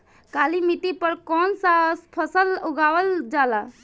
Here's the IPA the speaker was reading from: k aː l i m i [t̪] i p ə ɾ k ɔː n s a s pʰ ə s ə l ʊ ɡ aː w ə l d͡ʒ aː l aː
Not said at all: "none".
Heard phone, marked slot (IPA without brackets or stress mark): t̪